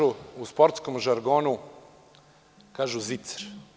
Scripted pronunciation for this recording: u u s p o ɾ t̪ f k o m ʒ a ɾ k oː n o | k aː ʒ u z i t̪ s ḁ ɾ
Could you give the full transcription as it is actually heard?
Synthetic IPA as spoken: u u s p o ɾ t̪ s k o m ʒ a ɾ ɡ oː n u | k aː ʒ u z i t̪ s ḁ ɾ

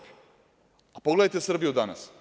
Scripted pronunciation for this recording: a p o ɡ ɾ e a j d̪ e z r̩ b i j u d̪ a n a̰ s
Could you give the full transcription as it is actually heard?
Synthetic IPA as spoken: a p o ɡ l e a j t̪ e s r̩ b i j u d̪ a n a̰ s

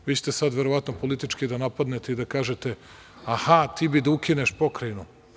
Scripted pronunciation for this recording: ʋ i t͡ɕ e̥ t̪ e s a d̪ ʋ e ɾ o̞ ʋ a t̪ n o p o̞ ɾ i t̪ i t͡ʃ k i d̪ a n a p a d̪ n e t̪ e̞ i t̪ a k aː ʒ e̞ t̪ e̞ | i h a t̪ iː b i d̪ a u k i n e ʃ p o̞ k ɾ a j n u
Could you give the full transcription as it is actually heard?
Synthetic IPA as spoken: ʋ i t͡ɕ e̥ t̪ e s a d̪ ʋ e ɾ o̞ ʋ a t̪ n o p o̞ l i t̪ i t͡ʃ k i d̪ a n a p a d̪ n e t̪ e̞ i d̪ a k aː ʒ e̞ t̪ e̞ | a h a t̪ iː b i d̪ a u k i n e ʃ p o̞ k ɾ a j n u

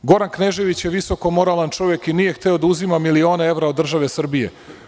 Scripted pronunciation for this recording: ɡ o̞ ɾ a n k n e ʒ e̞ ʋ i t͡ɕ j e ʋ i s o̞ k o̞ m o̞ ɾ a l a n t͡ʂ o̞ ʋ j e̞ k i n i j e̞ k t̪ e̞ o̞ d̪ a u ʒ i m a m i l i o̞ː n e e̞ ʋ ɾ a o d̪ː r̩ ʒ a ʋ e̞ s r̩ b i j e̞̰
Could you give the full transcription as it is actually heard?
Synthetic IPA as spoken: ɡ o̞ ɾ a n k n e ʒ e̞ ʋ i t͡ɕ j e ʋ i s o̞ k o̞ m o̞ ɾ a l a n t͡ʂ o̞ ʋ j e̞ k i n i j e̞ x t̪ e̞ o̞ d̪ a u z i m a m i l i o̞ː n e e̞ ʋ ɾ a o d̪ː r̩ ʒ a ʋ e̞ s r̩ b i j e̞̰

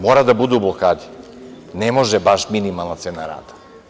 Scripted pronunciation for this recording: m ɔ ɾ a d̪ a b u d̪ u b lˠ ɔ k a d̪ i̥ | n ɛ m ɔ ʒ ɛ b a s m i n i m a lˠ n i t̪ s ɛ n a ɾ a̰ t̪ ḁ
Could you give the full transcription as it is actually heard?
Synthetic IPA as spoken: m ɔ ɾ a d̪ a b u d̪ u b lˠ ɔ k a d̪ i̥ | n ɛ m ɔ ʒ ɛ b a ʃ m i n i m a lˠ n a t̪ s ɛ n a ɾ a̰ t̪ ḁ

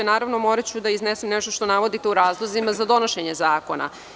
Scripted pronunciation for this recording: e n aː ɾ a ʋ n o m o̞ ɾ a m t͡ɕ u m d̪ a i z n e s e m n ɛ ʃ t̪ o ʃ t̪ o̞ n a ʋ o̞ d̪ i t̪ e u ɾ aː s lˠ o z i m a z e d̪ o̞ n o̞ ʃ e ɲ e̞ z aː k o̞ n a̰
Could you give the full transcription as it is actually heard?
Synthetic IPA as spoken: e n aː ɾ a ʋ n o m o̞ ɾ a t͡ɕ u d̪ a i z n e s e m n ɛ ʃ t̪ o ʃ t̪ o̞ n a ʋ o̞ d̪ i t̪ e u ɾ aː z lˠ o z i m a z a d̪ o̞ n o̞ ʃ e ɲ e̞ z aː k o̞ n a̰

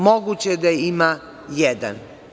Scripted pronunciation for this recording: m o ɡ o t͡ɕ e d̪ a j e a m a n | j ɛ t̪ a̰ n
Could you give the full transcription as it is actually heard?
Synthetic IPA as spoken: m o ɡ u t͡ɕ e d̪ a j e i m a | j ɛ d̪ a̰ n

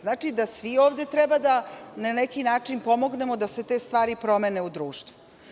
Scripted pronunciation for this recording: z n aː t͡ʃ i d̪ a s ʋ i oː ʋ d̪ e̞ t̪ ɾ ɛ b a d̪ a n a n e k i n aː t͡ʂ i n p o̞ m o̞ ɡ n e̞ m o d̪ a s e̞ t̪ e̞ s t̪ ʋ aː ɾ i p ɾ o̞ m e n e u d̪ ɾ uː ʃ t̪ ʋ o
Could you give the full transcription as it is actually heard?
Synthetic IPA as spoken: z n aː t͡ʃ i d̪ a s ʋ i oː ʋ d̪ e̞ t̪ ɾ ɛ b a d̪ a n a n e k i n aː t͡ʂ i n p o̞ m o̞ ɡ n e̞ m o d̪ a s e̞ t̪ e̞ s t̪ ʋ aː ɾ i p ɾ o̞ m e n e u d̪ ɾ uː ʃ t̪ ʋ u

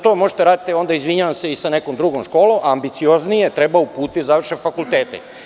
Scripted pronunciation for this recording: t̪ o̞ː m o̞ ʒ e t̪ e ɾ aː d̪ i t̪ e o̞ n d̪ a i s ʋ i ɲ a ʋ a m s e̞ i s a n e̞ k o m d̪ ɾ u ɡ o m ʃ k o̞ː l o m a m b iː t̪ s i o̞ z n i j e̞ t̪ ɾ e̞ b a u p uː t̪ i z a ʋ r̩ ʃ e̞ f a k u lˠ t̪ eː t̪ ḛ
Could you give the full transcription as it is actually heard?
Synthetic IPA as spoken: t̪ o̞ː m o̞ ʒ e t̪ e ɾ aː d̪ i t̪ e o̞ n d̪ a i z ʋ i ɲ a ʋ a m s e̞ i s a n e̞ k o m d̪ ɾ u ɡ o m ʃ k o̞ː l o m a m b i t̪ s i o̞ z n i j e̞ t̪ ɾ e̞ b a u p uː t̪ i z a ʋ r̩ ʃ e̞ f a k u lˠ t̪ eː t̪ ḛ

